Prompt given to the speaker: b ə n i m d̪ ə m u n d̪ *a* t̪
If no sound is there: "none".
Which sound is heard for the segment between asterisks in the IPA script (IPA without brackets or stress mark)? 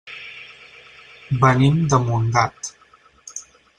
a